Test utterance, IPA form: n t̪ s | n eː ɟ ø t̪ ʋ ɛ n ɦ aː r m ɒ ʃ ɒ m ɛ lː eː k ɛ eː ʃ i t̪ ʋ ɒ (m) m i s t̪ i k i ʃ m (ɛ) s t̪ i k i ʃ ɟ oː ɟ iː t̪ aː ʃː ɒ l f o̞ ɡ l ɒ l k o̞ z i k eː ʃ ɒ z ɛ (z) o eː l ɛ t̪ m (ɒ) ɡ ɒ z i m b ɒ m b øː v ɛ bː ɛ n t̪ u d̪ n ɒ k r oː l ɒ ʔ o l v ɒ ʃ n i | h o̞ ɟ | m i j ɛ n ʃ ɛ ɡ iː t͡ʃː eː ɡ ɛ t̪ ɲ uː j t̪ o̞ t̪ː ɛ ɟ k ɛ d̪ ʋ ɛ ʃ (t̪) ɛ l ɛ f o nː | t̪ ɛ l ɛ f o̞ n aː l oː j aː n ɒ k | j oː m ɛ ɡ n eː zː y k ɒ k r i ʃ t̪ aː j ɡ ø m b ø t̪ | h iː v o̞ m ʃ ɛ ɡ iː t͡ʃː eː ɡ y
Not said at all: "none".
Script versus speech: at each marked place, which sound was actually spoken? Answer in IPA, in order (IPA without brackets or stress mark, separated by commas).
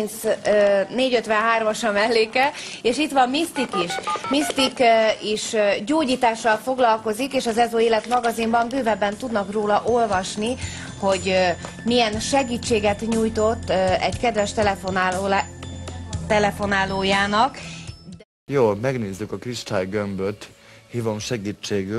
m, i, z, ɒ, t̪